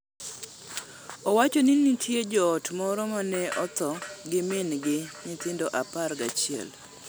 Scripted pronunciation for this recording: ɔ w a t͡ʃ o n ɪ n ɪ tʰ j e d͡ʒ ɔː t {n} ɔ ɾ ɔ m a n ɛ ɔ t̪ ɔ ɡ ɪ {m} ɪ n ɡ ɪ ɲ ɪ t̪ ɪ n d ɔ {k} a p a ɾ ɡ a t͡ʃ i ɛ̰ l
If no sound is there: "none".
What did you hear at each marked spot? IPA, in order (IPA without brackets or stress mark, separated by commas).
m, m, ʔ